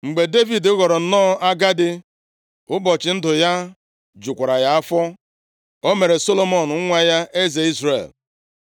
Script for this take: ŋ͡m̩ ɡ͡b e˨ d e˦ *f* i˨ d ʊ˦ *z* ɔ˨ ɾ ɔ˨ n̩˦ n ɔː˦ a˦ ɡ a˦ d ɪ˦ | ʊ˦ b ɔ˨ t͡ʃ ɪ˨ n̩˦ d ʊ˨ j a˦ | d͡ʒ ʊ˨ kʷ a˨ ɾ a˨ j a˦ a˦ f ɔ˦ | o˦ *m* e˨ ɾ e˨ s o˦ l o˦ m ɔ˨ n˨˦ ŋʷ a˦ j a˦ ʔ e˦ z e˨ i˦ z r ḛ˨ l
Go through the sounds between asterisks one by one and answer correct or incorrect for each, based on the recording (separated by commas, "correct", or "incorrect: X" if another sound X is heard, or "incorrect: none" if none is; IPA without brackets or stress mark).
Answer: incorrect: v, incorrect: ɣ, correct